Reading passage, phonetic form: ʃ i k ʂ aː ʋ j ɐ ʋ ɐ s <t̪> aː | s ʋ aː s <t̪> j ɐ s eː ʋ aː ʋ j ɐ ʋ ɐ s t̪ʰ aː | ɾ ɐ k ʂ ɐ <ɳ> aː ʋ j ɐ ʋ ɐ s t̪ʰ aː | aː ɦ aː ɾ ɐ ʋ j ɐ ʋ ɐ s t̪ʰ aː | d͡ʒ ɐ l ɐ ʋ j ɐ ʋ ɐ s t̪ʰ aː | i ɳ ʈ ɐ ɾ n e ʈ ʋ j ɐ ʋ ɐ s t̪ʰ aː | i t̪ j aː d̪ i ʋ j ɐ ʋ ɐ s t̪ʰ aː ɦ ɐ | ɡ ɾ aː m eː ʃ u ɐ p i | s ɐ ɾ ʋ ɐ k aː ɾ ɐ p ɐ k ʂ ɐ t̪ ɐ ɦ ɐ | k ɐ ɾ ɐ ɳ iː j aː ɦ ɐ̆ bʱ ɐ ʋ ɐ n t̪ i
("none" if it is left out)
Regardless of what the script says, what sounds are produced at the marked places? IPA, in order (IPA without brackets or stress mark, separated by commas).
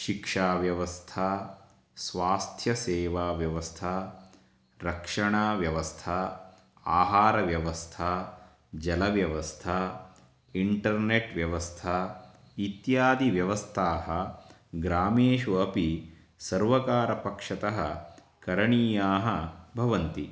t̪ʰ, t̪ʰ, ɳ